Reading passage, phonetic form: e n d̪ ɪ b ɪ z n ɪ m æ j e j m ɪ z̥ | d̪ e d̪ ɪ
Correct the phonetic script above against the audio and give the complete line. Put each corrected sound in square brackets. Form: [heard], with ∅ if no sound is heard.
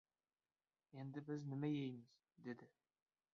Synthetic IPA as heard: e n d̪ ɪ b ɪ z n ɪ m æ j e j m ɪ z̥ | d̪ e d̪ ɪ